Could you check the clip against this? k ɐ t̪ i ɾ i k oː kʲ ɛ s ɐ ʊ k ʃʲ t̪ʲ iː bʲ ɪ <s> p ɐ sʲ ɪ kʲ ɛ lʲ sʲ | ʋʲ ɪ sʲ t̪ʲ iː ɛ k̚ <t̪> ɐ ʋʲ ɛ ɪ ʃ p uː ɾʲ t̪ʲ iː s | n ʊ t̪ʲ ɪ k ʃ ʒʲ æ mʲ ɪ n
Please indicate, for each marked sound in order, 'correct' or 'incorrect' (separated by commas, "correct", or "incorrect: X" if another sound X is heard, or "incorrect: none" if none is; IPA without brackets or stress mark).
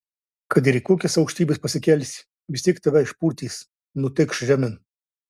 correct, correct